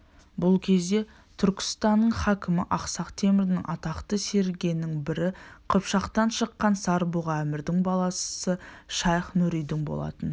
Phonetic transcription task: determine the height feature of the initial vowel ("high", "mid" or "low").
high